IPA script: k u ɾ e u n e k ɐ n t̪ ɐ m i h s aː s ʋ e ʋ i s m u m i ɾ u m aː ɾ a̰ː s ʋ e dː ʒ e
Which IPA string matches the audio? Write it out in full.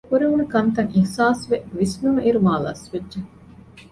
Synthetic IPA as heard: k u ɾ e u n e k ɐ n t̪ ɐ ŋ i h s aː s ʋ e ʋ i s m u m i ɾ u m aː l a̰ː s ʋ e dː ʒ e